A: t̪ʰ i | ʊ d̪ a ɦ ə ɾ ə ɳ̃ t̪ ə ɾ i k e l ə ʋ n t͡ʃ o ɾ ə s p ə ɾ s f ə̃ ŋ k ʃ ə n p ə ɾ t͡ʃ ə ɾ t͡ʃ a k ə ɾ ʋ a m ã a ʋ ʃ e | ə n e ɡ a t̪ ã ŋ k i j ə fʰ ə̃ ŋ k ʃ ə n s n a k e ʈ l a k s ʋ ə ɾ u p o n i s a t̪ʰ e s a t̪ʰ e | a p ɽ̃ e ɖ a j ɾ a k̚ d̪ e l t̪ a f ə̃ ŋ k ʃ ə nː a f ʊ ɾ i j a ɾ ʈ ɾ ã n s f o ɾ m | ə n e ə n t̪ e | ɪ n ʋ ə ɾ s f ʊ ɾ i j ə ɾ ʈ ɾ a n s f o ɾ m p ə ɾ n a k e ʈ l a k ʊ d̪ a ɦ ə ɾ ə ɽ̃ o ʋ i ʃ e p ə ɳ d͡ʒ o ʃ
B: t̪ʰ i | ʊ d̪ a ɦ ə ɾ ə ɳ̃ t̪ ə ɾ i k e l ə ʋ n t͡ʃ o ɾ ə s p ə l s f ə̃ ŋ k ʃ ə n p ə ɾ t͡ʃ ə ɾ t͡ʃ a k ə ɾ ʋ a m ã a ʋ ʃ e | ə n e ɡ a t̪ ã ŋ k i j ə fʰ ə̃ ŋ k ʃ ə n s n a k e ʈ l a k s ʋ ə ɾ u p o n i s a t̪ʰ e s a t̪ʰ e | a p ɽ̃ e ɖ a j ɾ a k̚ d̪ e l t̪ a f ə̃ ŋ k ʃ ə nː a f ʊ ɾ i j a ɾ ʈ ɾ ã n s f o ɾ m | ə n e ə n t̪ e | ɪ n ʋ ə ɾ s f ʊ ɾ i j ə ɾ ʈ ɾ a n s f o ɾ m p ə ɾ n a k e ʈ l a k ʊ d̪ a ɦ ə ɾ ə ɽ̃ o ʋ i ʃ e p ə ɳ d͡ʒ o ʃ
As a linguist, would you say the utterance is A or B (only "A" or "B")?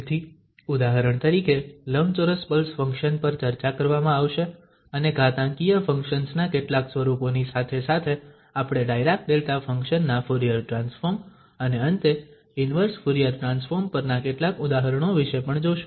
B